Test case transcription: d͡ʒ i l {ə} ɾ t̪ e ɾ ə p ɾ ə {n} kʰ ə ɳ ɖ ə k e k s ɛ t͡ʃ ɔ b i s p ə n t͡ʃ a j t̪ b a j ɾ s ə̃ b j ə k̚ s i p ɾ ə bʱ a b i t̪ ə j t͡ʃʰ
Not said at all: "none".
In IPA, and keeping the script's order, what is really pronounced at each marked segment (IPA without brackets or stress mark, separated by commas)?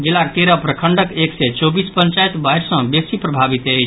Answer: a, none